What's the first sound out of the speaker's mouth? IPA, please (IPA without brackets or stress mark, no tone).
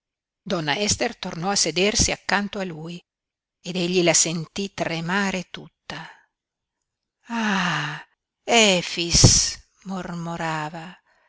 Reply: d̪